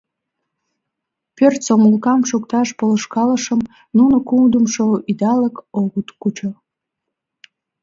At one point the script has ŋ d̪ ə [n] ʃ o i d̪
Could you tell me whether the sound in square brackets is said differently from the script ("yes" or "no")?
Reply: yes